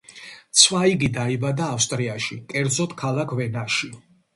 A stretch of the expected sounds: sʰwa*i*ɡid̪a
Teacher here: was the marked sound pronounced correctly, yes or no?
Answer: yes